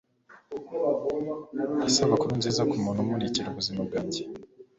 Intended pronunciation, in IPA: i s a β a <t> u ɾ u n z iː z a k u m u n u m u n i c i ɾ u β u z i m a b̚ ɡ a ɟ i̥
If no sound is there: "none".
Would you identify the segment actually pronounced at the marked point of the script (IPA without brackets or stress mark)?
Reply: k